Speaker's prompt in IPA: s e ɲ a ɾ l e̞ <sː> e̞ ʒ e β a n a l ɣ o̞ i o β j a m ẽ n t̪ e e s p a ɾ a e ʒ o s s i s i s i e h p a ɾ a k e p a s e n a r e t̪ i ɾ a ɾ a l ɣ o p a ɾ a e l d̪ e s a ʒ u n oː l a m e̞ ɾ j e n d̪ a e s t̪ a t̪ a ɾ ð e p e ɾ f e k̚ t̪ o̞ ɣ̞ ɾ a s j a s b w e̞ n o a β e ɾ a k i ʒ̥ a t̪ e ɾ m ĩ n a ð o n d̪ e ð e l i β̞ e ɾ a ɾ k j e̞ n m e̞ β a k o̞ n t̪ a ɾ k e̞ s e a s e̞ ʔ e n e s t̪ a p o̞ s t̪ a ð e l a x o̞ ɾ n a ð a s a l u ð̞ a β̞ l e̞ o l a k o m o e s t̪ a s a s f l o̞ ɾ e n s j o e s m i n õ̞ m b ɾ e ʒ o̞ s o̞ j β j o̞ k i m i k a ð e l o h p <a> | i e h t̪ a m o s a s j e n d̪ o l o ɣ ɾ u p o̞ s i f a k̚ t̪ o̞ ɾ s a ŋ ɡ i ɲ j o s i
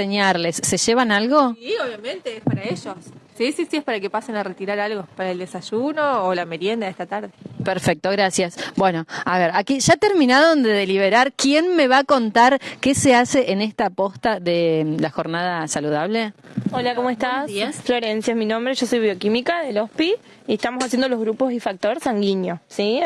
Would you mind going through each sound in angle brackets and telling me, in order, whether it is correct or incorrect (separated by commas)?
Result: correct, incorrect